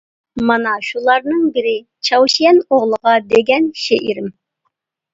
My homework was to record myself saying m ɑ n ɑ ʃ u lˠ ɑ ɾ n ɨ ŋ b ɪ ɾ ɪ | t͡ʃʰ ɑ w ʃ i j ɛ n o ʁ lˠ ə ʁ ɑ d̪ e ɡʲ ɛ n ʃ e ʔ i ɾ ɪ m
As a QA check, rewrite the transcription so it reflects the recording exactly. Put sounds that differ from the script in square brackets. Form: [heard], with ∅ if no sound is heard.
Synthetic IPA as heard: m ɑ n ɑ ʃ u lˠ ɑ ɾ n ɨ ŋ b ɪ ɾ ɪ | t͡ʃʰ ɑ w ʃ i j ɛ n o ʁ lˠ ə ʁ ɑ d̪ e ɡʲ ɛ n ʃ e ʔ i ɾ ɪ m

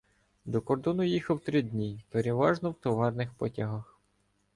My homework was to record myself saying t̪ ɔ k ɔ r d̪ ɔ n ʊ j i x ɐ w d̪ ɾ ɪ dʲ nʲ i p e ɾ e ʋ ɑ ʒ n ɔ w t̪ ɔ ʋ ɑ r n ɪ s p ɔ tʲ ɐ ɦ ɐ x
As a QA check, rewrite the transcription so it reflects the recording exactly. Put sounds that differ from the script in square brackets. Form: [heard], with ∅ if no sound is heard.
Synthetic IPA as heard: [d̪] ɔ k ɔ r d̪ ɔ n ʊ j i x ɐ w [t̪] ɾ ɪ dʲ nʲ i p e ɾ e ʋ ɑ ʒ n ɔ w t̪ ɔ ʋ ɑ r n ɪ [x] p ɔ tʲ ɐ ɦ ɐ x

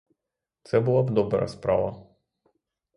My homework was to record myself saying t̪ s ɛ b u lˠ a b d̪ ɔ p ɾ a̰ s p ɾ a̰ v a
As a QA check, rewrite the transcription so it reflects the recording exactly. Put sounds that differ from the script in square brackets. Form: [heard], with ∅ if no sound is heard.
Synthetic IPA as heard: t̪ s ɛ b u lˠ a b d̪ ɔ [b] ɾ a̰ s p ɾ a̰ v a

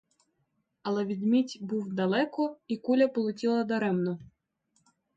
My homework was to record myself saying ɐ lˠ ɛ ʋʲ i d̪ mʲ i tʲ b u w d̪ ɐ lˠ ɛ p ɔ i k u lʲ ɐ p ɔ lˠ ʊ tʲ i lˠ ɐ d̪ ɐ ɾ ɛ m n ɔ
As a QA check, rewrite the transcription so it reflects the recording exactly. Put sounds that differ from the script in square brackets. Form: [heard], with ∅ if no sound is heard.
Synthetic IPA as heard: ɐ lˠ ɛ ʋʲ i d̪ mʲ i tʲ b u w d̪ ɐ lˠ ɛ [k] ɔ i k u lʲ ɐ p ɔ lˠ ʊ tʲ i lˠ ɐ d̪ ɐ ɾ ɛ m n ɔ

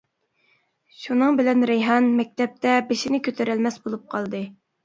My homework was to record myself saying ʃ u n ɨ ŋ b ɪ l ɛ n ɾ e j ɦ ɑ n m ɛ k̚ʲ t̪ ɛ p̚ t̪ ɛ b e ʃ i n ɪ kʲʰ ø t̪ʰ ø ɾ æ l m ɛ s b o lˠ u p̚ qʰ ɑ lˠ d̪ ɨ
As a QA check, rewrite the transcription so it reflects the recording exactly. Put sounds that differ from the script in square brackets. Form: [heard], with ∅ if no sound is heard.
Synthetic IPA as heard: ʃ u n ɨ ŋ b ɪ l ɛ n ɾ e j ɦ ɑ n m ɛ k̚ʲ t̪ ɛ p̚ t̪ ɛ b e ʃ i n ɪ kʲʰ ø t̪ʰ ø ɾ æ l m ɛ s b o lˠ u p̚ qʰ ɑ lˠ d̪ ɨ

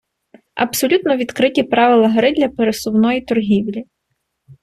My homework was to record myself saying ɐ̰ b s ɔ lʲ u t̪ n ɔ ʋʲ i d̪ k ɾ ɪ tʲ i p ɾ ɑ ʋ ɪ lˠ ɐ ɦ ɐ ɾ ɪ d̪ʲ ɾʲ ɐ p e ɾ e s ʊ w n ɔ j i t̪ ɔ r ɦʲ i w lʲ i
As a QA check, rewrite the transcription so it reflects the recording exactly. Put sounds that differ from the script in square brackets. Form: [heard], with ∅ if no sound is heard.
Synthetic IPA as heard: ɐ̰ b s ɔ lʲ u t̪ n ɔ ʋʲ i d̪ k ɾ ɪ tʲ i p ɾ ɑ ʋ ɪ lˠ ɐ ɦ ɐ ɾ ɪ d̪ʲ [lʲ] ɐ p e ɾ e s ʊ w n ɔ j i t̪ ɔ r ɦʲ i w lʲ i

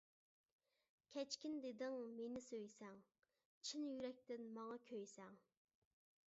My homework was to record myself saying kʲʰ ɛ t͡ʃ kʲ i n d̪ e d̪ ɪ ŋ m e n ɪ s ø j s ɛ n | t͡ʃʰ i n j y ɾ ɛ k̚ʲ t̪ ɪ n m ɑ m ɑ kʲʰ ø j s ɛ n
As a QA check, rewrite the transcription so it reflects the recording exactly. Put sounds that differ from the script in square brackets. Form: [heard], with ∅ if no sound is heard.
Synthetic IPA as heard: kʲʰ ɛ t͡ʃ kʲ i n d̪ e d̪ ɪ ŋ m e n ɪ s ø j s ɛ [ŋ] | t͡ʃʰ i n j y ɾ ɛ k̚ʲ t̪ ɪ n m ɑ [ŋ] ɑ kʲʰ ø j s ɛ [ŋ]

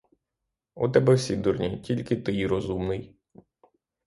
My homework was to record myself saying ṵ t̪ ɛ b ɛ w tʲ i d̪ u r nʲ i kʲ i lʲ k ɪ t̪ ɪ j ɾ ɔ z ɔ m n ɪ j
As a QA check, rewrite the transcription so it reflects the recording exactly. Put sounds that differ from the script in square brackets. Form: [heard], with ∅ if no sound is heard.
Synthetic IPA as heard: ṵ t̪ ɛ b ɛ w [sʲ] i d̪ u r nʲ i [tʲ] i lʲ k ɪ t̪ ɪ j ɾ ɔ z [u] m n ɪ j

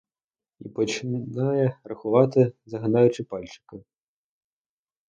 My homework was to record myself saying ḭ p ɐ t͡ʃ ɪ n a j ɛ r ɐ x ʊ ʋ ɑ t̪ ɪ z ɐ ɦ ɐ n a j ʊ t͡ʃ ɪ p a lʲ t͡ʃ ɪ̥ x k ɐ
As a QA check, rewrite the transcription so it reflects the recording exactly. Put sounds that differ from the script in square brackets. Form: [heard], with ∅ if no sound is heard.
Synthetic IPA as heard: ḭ p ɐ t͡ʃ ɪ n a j ɛ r ɐ x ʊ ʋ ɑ t̪ ɪ z ɐ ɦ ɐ n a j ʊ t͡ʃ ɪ p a lʲ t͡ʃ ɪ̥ [∅] k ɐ

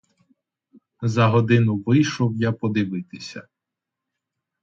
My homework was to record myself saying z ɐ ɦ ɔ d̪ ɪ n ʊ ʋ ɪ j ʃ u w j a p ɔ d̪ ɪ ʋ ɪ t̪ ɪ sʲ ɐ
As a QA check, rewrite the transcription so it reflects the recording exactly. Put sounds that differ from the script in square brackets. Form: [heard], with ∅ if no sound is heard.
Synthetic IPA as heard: z ɐ ɦ ɔ d̪ ɪ n ʊ ʋ ɪ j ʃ [ɔ] w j a p ɔ d̪ ɪ ʋ ɪ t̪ ɪ sʲ ɐ

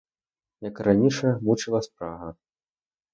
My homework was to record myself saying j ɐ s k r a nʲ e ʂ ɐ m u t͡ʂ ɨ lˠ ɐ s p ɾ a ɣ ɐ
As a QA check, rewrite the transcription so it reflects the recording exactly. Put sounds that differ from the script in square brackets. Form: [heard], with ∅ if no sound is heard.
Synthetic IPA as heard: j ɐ [∅] k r a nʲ [i] ʂ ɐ m u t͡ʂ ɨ lˠ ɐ s p ɾ a ɣ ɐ

